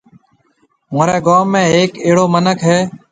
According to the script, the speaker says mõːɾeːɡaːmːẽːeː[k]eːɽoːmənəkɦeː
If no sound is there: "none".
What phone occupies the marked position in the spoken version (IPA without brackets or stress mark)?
k